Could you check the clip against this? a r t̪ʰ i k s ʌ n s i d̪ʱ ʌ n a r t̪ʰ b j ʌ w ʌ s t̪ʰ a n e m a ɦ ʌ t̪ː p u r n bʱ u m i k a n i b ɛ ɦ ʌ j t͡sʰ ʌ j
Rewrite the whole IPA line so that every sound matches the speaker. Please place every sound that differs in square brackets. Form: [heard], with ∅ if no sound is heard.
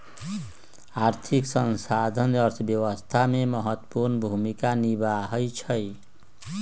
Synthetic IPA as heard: a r t̪ʰ i k s ʌ n s [a] d̪ʱ ʌ n [ʌ] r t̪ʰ b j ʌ w ʌ s t̪ʰ a [m] e m [ʌ] ɦ ʌ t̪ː p u r n bʱ u m i k a n i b [a] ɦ ʌ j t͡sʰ ʌ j